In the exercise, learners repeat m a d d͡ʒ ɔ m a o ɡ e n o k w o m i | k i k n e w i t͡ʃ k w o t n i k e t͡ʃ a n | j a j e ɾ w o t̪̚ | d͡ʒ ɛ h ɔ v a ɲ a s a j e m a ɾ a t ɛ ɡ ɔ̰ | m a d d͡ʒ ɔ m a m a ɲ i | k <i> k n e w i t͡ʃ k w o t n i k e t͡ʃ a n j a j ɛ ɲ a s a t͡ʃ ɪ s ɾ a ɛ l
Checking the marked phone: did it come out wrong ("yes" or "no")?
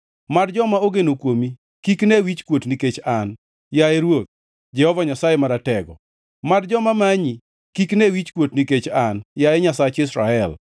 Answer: no